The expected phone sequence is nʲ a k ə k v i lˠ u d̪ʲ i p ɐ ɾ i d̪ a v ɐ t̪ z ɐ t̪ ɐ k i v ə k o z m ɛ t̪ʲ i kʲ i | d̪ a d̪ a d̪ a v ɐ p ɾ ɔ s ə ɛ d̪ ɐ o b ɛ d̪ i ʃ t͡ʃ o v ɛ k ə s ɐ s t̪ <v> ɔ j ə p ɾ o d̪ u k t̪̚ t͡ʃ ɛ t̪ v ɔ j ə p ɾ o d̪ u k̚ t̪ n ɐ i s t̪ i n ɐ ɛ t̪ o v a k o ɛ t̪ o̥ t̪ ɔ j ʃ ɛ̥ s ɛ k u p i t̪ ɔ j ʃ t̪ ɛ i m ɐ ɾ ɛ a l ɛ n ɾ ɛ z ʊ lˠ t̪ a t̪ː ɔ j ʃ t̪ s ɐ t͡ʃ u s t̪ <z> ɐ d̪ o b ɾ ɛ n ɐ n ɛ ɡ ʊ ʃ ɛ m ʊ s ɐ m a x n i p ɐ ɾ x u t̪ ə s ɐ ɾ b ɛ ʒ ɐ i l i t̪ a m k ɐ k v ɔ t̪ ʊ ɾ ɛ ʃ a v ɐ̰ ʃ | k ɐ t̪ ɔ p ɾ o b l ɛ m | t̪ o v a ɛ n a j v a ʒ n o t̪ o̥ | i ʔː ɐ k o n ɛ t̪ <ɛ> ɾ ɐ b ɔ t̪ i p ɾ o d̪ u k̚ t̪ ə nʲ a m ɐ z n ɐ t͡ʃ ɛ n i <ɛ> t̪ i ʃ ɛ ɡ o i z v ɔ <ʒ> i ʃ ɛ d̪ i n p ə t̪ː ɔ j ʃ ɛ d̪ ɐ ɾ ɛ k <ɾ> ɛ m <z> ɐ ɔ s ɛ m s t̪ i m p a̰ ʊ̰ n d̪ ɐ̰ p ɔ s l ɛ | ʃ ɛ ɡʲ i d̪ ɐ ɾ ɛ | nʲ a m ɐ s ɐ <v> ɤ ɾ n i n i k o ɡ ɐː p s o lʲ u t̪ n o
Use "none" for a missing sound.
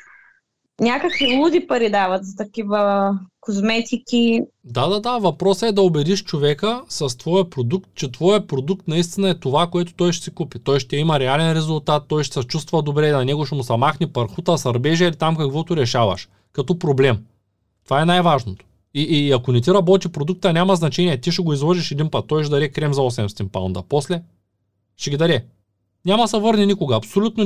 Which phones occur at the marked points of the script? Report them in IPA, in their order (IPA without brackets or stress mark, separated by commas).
v, v, i, ɛ, ʒ, ɾ, z, v